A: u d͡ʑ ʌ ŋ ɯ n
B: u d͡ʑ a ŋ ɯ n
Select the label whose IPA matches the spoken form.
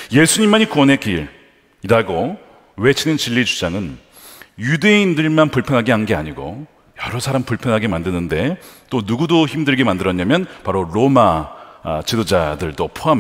B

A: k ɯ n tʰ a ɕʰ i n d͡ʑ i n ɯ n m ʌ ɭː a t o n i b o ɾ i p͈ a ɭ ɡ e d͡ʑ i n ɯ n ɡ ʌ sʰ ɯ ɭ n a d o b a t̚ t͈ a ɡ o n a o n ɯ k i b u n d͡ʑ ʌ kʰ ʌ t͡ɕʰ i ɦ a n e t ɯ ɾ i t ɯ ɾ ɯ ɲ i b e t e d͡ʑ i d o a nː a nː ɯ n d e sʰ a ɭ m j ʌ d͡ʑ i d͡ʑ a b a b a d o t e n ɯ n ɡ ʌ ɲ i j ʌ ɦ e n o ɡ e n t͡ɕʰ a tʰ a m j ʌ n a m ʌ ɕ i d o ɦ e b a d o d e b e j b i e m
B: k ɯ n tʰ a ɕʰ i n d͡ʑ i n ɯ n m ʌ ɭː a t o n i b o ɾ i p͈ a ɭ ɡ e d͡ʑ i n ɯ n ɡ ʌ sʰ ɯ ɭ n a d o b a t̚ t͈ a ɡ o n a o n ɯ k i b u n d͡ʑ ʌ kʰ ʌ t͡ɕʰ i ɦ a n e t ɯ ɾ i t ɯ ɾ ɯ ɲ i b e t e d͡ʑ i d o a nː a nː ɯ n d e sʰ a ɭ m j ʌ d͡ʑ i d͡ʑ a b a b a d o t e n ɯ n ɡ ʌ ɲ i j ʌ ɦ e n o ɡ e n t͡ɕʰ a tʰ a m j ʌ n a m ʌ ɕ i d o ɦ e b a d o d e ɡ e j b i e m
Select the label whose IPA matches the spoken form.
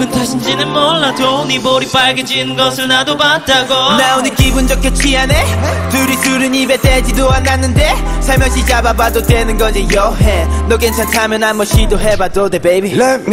A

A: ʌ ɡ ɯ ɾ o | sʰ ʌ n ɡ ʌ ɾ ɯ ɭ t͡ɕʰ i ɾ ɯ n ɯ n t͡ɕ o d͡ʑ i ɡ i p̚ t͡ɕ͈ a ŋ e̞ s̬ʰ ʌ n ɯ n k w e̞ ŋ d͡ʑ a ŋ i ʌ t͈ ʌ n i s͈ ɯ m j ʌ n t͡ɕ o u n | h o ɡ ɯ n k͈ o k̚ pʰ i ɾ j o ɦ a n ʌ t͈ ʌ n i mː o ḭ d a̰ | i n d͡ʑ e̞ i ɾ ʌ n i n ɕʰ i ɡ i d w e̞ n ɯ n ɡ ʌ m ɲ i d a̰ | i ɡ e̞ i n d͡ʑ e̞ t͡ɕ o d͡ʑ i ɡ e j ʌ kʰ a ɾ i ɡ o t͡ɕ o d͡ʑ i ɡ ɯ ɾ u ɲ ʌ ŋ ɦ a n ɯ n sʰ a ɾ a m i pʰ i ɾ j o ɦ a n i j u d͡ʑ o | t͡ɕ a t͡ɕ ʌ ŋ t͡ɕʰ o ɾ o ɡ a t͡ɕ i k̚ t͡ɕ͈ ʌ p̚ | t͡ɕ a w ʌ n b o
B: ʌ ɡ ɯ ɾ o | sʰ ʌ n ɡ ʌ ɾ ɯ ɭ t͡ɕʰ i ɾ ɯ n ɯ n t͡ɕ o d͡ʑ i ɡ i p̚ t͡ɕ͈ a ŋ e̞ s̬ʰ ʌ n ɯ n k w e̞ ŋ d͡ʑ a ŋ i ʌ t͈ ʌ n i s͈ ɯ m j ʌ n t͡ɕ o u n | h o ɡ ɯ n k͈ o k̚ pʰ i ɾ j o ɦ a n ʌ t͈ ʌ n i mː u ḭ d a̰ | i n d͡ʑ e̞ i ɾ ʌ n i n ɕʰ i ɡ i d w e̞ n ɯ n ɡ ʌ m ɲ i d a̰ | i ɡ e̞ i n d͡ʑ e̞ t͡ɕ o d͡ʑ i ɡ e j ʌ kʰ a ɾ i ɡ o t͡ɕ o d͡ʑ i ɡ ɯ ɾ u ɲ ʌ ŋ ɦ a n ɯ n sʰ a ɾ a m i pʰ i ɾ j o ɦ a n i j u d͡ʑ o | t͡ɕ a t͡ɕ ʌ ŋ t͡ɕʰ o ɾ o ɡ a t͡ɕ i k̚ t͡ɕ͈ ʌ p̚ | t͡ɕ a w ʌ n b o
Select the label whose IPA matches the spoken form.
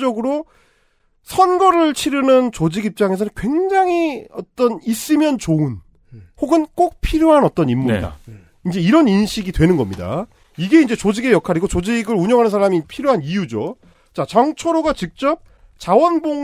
B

